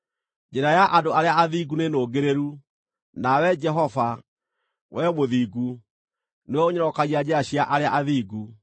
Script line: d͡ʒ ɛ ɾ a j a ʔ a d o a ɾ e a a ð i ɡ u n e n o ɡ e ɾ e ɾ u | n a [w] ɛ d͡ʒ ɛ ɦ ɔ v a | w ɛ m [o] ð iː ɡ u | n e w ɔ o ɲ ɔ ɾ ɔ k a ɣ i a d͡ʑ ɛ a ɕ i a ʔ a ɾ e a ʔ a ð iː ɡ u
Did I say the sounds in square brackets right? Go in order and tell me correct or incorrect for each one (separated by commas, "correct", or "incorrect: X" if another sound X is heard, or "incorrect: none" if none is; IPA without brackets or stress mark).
correct, correct